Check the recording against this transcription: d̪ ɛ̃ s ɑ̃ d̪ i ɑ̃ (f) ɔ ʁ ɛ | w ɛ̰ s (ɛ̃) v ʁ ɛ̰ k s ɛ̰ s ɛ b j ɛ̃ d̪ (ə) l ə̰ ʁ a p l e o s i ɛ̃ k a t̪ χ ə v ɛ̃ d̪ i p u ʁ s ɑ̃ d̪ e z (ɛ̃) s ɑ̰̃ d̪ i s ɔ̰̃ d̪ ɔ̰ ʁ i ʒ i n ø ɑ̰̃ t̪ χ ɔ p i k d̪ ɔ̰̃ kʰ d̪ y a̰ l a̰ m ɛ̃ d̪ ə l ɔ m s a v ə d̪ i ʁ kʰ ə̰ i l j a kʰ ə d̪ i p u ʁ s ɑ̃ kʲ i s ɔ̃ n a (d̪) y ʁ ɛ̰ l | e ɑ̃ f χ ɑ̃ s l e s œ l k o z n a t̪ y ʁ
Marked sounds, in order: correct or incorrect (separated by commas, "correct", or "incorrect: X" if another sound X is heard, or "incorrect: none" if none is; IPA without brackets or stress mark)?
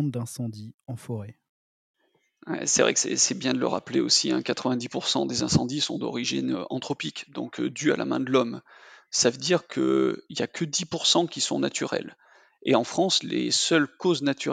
correct, incorrect: ɛ, correct, correct, incorrect: t̪